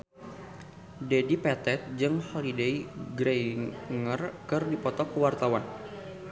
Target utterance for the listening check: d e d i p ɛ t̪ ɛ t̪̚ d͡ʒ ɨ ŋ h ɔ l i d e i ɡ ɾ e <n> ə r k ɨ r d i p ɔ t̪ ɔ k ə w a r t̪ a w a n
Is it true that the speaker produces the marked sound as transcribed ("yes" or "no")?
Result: no